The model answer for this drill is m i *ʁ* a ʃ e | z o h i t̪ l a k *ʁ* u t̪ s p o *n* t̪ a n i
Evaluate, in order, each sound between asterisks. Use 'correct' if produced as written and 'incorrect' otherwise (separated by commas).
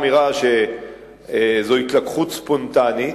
correct, incorrect, correct